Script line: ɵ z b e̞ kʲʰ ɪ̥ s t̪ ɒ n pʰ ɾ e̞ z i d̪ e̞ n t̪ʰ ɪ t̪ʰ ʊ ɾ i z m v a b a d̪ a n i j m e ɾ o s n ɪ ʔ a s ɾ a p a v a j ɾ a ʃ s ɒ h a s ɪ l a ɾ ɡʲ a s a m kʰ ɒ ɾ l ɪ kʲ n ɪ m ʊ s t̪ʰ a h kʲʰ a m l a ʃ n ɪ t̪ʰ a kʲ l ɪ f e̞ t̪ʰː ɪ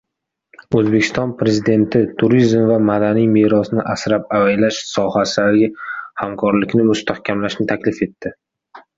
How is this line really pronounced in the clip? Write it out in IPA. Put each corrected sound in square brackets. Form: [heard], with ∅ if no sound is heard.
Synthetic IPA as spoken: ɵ z b e̞ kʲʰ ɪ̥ s t̪ ɒ n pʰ ɾ e̞ z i d̪ e̞ n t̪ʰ ɪ t̪ʰ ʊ ɾ i z m v a [m] a d̪ a n i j m e ɾ [ɒ] s n ɪ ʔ a s ɾ a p a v a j [l] a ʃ s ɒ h a s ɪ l a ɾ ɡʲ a [h] a m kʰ ɒ ɾ l ɪ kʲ n ɪ m ʊ s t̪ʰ a h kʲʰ a m l a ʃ n ɪ t̪ʰ a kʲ l ɪ f e̞ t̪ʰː ɪ